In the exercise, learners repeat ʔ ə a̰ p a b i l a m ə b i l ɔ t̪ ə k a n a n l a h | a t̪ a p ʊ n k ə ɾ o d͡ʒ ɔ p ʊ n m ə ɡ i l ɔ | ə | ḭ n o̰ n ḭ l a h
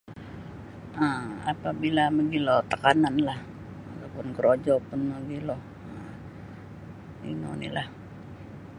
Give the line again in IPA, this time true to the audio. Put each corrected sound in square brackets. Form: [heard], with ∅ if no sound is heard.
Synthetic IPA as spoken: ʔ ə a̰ p a b i l a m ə [ɡ] i l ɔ t̪ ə k a n a n l a h | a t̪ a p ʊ n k ə ɾ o d͡ʒ ɔ p ʊ n m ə ɡ i l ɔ | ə | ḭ n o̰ n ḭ l a h

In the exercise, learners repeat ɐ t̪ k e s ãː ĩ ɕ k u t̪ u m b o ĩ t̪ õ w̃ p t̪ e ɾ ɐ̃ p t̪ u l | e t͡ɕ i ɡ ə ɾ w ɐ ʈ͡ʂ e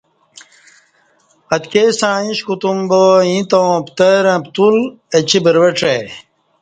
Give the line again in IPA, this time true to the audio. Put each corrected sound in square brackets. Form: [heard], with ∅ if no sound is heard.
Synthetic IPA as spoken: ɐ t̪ k e s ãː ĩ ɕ k u t̪ u m b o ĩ t̪ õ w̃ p t̪ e ɾ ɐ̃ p t̪ u l | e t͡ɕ i [b] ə ɾ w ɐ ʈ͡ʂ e

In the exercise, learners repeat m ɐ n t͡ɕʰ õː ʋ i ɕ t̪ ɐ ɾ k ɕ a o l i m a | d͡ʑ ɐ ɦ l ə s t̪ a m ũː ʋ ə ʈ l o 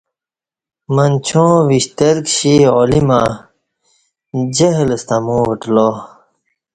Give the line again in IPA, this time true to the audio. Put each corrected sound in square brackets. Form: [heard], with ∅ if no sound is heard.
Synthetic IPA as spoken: m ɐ n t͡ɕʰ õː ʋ i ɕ t̪ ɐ ɾ k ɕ [i] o l i m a | d͡ʑ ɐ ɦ l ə s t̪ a m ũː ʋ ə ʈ l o

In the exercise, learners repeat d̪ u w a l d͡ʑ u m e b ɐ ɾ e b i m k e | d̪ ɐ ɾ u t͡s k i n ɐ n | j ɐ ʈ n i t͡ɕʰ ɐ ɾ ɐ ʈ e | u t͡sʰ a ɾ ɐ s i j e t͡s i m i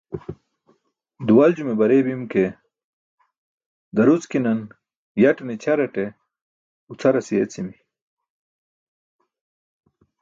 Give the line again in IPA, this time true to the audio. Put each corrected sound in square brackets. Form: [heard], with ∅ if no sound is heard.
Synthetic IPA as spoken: d̪ u w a l d͡ʑ u m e b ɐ ɾ e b i m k e | d̪ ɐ ɾ u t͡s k i n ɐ n | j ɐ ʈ n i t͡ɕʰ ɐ ɾ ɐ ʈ e | u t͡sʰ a ɾ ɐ s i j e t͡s i m i

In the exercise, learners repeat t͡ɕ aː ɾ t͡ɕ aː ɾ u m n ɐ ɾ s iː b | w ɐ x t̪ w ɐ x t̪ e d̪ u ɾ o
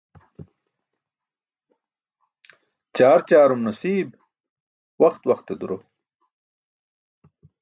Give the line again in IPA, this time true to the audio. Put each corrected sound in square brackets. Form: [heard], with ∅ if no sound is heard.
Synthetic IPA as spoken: t͡ɕ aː ɾ t͡ɕ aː ɾ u m n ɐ [∅] s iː b | w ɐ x t̪ w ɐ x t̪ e d̪ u ɾ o

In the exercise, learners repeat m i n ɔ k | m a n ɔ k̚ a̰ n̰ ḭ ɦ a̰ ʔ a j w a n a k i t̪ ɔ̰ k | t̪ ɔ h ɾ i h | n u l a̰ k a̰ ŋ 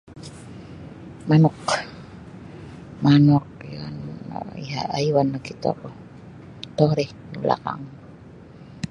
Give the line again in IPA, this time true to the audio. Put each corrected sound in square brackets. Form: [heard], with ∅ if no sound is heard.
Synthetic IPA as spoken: m [a] n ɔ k | m a n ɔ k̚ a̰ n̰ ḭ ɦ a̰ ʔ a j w a n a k i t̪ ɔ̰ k | t̪ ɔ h ɾ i h | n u l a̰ k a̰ ŋ

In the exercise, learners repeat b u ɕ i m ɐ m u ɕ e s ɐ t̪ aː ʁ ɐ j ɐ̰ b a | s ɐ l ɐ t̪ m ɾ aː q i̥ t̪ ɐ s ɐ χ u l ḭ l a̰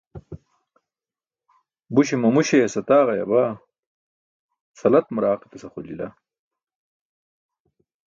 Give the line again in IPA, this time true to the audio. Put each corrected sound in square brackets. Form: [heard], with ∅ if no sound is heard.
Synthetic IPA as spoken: b u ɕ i m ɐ m u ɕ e s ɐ t̪ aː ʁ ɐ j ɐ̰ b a | s ɐ l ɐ t̪ m ɾ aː q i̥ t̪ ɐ s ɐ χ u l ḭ l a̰

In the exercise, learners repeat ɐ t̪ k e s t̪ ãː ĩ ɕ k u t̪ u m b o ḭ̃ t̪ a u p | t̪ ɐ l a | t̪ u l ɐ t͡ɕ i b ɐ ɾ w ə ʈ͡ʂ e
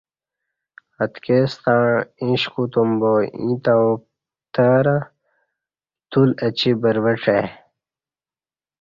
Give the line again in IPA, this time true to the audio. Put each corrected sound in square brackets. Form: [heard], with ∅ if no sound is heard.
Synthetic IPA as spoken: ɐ t̪ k e s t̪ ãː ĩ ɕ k u t̪ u m b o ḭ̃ t̪ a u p | t̪ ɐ [ɾ] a | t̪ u l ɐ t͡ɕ i b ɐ ɾ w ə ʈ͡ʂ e

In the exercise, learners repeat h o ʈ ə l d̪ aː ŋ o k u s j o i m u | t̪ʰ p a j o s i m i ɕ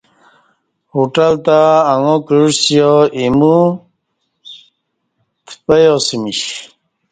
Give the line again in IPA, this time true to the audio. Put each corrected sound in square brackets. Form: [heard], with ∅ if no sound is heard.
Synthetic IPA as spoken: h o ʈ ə l [t̪] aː ŋ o k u s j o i m u | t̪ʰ p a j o s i m i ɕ

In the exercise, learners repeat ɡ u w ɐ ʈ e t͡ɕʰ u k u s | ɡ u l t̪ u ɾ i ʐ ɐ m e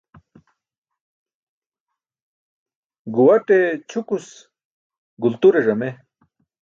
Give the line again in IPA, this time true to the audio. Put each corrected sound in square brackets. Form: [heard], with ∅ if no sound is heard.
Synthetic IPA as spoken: ɡ u w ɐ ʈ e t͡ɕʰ u k u s | ɡ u l t̪ u ɾ [e] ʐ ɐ m e

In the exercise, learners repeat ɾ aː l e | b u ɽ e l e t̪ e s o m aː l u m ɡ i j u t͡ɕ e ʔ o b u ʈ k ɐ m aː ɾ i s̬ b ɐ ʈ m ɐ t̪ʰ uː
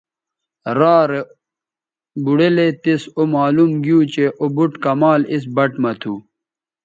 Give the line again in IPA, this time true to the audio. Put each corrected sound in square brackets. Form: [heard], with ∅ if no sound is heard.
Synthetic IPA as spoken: ɾ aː [ɾ] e | b u ɽ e l e t̪ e s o m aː l u m ɡ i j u t͡ɕ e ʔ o b u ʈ k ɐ m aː [l] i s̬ b ɐ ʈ m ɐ t̪ʰ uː

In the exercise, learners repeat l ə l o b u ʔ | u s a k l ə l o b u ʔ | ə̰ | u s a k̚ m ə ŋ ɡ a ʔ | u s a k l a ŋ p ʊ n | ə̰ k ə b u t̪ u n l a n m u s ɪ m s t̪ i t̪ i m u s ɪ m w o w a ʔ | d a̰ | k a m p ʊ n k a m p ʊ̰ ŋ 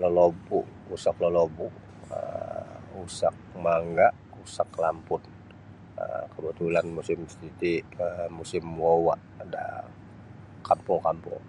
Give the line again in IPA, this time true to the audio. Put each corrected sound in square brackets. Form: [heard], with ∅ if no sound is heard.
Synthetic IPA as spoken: l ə l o b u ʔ | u s a k l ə l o b u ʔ | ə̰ | u s a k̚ m [a] ŋ ɡ a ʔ | u s a k l a [m] p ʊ n | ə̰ k ə b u t̪ u [∅] l a n m u s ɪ m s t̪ i t̪ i m u s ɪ m w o w a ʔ | d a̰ | k a m p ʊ [ŋ] k a m p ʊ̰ ŋ

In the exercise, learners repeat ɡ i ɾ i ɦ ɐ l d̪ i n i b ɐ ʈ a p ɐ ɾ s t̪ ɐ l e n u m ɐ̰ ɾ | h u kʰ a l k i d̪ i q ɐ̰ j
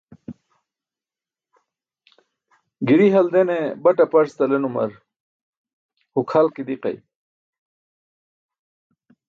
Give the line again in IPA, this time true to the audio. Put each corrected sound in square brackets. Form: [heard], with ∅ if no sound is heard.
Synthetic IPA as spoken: ɡ i ɾ i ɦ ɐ l d̪ [e] n [e] b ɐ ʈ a p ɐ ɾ s t̪ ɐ l e n u m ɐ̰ ɾ | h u kʰ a l k i d̪ i q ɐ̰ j

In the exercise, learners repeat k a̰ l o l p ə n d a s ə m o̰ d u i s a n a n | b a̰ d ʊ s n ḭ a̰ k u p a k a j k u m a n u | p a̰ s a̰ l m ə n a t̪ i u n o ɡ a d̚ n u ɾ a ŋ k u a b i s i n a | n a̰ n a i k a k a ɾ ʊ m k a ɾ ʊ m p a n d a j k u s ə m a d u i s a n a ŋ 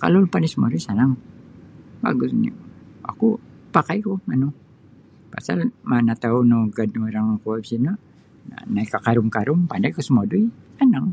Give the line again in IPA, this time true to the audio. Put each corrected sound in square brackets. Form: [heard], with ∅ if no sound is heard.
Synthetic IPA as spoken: k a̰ l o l p [a] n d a s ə m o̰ d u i s a n a [ŋ] | b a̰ [ɡ] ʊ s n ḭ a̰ k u p a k a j k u m a n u | p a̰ s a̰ l m [a] n a t̪ [a] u n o ɡ a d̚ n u ɾ a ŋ k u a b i s i n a | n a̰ n a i k a k a ɾ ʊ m k a ɾ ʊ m p a n d a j k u s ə m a d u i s a n a ŋ

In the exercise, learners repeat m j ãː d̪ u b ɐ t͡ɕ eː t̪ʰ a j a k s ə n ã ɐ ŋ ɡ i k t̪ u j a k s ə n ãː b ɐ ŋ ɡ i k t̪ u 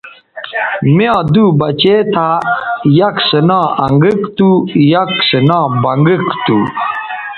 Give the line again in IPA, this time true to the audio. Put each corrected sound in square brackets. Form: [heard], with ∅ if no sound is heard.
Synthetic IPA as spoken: m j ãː d̪ u b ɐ t͡ɕ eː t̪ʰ a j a k s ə n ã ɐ ŋ ɡ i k t̪ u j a k s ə n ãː b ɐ ŋ ɡ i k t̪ u

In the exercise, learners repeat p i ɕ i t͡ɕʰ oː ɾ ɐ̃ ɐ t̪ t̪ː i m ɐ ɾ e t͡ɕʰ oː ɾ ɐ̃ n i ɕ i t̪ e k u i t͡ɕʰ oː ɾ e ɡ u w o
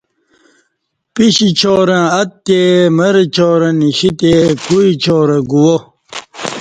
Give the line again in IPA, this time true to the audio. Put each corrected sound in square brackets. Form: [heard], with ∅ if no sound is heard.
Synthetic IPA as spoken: p i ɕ i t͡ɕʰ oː ɾ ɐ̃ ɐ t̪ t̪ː [e] m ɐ ɾ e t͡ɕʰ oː ɾ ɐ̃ n i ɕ i t̪ e k u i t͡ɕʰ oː ɾ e ɡ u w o

